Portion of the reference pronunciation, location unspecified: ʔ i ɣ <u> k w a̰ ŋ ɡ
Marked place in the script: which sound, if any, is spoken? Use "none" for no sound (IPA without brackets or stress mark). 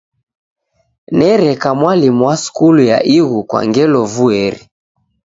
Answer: u